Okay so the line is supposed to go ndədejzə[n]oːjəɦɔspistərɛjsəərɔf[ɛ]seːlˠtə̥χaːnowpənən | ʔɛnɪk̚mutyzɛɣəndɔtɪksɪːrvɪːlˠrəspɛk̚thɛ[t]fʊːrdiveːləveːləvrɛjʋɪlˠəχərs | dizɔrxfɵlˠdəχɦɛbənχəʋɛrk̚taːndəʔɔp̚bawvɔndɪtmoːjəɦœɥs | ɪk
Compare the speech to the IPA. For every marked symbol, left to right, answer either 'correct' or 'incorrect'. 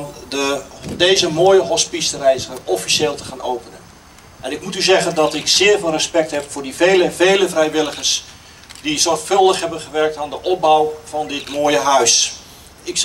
incorrect, incorrect, incorrect

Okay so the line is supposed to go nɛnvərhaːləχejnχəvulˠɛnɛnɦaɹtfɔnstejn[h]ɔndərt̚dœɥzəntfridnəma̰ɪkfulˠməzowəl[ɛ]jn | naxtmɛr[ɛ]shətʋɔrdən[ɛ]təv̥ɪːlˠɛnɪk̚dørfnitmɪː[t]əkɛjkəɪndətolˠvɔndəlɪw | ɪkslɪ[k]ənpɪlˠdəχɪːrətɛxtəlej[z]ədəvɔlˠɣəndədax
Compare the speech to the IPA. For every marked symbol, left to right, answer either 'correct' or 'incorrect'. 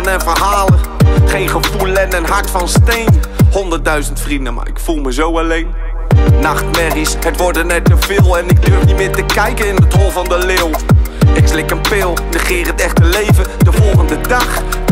correct, incorrect, incorrect, correct, correct, correct, incorrect

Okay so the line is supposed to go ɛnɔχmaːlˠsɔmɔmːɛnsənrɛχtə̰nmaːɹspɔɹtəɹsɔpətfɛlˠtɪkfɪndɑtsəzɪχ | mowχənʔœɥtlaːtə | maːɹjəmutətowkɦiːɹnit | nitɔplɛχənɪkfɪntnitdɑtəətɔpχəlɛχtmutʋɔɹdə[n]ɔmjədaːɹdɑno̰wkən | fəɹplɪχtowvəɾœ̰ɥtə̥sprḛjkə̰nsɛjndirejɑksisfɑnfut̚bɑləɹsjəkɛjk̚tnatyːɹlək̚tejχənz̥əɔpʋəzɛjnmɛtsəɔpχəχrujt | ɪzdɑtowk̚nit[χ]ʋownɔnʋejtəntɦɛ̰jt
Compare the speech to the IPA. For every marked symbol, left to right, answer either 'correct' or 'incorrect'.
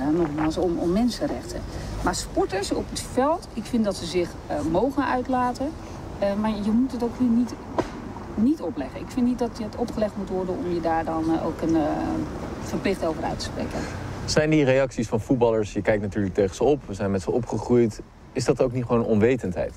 correct, correct

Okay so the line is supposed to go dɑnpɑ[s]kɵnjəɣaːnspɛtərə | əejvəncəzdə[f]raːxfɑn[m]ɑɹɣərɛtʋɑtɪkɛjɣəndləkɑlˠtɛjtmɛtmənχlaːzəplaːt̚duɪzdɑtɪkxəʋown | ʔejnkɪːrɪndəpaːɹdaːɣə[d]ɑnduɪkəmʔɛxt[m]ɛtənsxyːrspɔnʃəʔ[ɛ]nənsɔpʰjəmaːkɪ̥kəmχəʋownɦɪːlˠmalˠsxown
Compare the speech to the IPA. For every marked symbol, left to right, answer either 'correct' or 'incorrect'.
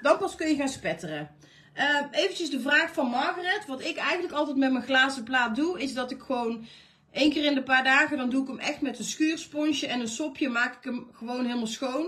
correct, incorrect, correct, correct, correct, correct

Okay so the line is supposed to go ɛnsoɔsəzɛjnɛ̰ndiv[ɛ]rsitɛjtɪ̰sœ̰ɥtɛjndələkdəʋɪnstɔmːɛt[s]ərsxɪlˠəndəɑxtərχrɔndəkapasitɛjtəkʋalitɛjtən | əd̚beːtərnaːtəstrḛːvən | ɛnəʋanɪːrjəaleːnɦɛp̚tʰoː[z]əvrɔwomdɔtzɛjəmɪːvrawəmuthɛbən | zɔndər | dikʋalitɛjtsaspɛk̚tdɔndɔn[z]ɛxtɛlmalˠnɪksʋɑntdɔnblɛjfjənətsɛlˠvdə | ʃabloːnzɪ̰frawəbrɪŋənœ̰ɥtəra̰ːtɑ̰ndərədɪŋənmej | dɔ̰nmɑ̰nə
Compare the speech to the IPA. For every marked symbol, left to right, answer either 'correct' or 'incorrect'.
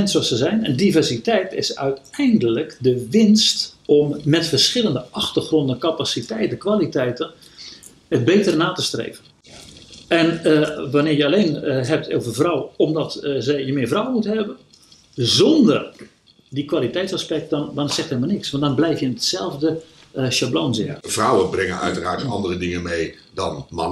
correct, incorrect, incorrect, incorrect

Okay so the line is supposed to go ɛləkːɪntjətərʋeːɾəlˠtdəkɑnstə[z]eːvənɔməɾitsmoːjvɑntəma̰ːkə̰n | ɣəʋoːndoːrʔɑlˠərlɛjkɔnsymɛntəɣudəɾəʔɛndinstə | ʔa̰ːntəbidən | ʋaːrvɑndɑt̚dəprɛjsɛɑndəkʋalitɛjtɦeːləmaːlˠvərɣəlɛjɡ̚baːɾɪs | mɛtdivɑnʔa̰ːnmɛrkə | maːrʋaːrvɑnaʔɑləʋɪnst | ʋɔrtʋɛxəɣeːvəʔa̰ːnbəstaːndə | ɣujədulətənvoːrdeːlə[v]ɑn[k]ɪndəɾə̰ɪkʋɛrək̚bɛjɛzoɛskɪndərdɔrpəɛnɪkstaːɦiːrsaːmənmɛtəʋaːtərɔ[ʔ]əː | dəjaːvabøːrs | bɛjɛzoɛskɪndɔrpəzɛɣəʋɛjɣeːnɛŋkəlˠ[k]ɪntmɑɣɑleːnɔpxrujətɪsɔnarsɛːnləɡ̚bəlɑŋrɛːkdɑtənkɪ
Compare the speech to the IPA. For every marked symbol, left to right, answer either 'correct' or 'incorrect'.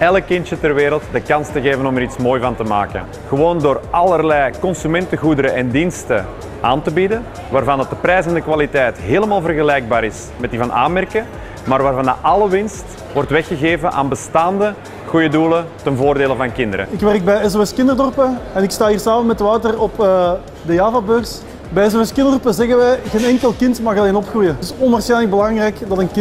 incorrect, correct, correct, incorrect, correct

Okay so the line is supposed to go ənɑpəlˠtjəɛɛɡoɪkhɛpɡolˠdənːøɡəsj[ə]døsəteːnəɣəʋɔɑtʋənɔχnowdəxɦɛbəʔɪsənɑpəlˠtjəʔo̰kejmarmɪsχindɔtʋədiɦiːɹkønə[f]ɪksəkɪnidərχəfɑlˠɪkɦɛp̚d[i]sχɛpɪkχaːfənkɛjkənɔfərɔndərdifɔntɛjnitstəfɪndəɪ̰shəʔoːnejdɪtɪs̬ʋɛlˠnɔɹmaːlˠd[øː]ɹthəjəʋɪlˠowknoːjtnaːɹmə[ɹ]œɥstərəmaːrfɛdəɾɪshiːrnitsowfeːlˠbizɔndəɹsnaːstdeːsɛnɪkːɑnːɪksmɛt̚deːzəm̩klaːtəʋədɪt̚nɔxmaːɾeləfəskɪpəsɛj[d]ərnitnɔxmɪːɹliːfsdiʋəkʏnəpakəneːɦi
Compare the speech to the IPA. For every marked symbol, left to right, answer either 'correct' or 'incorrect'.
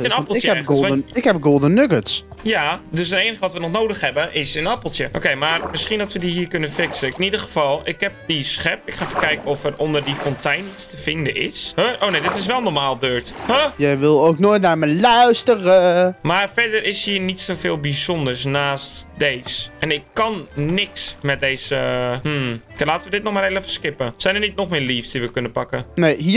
incorrect, correct, correct, correct, incorrect, incorrect

